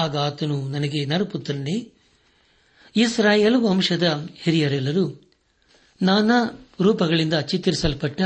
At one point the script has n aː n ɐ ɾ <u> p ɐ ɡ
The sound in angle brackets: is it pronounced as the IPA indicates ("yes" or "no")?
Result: no